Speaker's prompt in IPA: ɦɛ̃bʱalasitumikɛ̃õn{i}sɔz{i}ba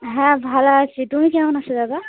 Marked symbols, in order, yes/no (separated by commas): no, no